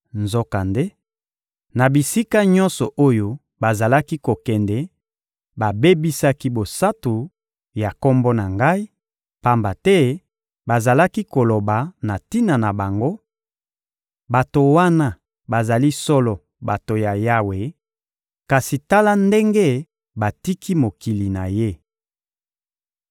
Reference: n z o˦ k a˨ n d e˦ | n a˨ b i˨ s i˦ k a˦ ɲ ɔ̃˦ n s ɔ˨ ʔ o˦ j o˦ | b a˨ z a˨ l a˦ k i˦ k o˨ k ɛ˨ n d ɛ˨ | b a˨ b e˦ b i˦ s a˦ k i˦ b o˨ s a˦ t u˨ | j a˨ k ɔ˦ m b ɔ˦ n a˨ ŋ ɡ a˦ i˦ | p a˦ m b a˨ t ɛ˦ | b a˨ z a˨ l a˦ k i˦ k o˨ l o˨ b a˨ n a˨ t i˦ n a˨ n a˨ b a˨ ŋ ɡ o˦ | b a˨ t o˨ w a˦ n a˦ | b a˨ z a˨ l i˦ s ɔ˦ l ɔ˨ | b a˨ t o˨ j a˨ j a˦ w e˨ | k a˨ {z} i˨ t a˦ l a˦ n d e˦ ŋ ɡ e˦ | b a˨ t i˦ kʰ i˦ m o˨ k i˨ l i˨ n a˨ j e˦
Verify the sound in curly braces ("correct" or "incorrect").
incorrect